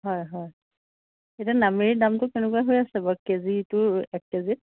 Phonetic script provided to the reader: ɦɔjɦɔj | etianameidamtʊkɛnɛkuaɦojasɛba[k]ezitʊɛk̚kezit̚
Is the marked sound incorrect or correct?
correct